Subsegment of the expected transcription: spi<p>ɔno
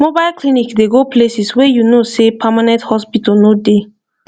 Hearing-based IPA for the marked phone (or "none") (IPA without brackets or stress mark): t